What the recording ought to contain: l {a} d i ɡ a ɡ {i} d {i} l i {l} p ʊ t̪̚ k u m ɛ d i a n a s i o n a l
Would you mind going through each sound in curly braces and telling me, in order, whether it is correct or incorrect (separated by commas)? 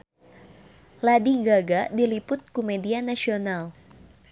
correct, incorrect, correct, incorrect